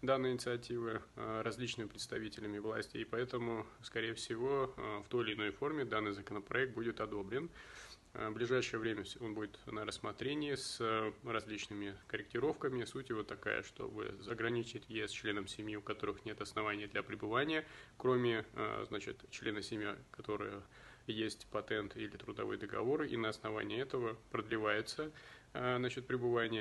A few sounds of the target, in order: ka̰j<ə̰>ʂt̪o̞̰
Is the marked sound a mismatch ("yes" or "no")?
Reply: no